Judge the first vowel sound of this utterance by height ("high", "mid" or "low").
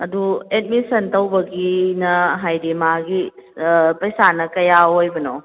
low